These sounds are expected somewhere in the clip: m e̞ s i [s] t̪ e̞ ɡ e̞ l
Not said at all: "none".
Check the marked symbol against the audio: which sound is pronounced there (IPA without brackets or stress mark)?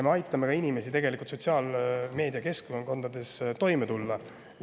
none